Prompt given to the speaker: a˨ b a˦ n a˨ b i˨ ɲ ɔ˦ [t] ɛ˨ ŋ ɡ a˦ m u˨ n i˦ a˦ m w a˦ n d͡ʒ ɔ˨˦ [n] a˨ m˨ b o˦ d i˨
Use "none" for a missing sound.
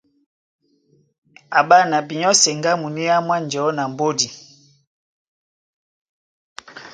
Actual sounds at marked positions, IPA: s, n

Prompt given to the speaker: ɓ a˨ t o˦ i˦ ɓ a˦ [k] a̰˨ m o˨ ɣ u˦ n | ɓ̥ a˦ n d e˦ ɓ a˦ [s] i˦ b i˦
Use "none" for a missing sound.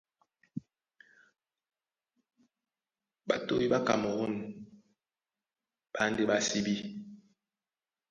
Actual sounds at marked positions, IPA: k, s

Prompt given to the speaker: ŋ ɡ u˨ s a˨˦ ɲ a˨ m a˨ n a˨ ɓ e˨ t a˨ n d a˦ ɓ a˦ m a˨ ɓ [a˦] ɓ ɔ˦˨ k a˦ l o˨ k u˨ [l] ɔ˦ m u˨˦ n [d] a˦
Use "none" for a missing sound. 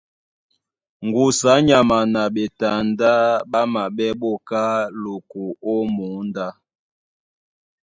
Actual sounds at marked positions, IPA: ɛ˦, none, d

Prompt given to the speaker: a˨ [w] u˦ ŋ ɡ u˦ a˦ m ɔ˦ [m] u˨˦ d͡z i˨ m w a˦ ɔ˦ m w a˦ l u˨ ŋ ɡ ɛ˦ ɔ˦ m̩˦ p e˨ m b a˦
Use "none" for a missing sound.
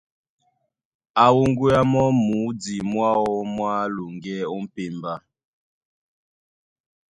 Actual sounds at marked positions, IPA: w, m

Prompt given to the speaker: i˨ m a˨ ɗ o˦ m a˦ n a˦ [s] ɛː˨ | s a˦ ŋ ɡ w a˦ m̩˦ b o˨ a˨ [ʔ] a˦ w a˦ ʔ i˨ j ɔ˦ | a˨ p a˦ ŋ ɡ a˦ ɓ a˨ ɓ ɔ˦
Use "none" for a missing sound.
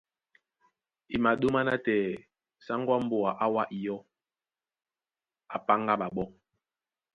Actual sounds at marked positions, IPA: t, ʔ

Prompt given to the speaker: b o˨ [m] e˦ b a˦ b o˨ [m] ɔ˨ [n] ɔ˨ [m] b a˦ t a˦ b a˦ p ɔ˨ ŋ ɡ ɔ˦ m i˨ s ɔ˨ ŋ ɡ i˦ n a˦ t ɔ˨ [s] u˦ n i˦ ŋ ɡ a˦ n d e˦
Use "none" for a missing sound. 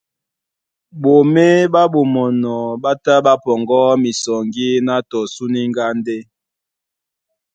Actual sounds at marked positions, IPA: m, m, n, none, s

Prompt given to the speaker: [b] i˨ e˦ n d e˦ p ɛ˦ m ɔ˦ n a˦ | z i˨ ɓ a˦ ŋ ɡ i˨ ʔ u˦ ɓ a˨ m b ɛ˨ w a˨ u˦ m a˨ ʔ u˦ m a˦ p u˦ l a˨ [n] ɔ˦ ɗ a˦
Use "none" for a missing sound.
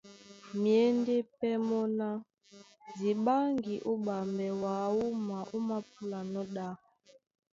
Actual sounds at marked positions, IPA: m, n

